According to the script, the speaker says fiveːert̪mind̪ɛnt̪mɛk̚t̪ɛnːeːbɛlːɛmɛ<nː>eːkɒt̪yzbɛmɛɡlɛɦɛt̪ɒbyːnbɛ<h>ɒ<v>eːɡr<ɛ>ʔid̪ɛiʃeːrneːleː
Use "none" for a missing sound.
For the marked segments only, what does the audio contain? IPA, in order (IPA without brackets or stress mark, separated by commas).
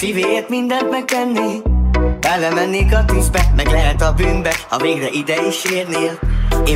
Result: nː, h, v, ɛ